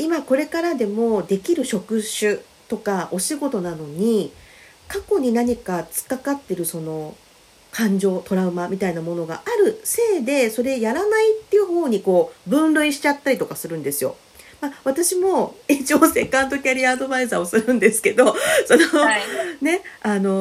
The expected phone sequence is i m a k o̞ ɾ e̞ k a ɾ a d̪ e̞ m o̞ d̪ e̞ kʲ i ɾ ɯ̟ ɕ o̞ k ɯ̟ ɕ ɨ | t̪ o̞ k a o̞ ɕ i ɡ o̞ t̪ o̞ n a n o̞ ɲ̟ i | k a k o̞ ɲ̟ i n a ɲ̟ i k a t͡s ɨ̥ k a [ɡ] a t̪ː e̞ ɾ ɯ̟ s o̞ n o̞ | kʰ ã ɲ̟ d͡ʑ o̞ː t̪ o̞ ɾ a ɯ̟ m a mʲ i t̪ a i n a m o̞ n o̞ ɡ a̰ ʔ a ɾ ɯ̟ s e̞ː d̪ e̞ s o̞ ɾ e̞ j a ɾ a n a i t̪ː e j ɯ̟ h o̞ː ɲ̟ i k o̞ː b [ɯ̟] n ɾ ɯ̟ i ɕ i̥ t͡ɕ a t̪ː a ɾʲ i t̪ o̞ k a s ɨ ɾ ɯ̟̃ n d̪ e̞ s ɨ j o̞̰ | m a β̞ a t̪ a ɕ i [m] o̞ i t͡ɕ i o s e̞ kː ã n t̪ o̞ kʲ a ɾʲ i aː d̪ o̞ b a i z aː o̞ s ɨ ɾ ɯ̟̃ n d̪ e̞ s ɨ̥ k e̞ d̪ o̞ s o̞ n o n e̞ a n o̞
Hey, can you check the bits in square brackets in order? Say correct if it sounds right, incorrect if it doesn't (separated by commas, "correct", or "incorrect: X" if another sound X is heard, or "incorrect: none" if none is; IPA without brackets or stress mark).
incorrect: k, incorrect: ɯ̟̃, correct